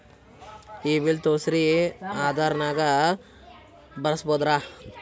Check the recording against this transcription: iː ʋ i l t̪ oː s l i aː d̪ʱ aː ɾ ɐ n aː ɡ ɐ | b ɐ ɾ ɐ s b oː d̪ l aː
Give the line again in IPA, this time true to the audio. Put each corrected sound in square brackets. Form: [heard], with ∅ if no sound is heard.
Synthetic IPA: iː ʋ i l t̪ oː s [ɾ] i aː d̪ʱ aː ɾ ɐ n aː ɡ ɐ | b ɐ ɾ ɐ s b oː d̪ [ɾ] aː